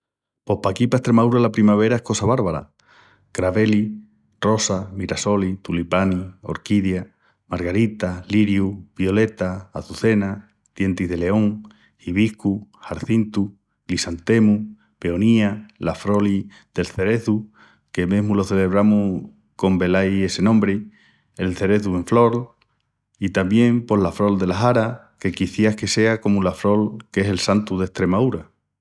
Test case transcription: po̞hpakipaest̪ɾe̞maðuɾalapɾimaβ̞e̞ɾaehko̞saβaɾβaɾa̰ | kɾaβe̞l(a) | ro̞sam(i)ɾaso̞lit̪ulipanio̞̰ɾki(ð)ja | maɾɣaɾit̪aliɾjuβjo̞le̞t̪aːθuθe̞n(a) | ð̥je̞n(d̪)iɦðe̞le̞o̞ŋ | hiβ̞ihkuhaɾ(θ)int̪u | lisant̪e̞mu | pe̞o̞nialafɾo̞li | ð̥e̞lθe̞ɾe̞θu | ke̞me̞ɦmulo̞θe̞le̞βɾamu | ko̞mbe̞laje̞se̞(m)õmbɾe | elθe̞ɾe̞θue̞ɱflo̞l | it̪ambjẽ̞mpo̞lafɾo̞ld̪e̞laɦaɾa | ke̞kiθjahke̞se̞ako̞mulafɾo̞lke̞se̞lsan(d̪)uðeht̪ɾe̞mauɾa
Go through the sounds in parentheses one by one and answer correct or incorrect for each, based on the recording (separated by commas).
incorrect, correct, correct, correct, incorrect, correct, incorrect, incorrect